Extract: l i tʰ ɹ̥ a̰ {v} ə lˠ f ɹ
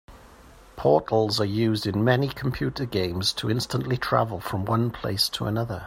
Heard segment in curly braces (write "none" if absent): v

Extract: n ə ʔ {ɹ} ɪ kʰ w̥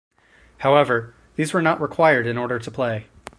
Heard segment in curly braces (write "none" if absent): ɹ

